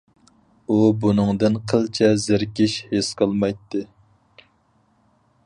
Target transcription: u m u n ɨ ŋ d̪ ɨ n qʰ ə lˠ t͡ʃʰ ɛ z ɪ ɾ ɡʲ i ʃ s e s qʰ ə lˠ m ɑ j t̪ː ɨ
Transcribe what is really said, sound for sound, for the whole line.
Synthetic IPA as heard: u b u n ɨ ŋ d̪ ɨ n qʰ ə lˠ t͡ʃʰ ɛ z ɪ ɾ kʲ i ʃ h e s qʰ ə lˠ m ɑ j t̪ː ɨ